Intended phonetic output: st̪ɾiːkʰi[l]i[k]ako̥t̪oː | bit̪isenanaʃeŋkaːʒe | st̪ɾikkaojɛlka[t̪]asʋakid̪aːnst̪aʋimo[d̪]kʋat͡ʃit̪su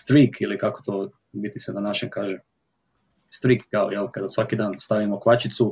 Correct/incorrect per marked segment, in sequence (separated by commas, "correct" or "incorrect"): correct, correct, incorrect, incorrect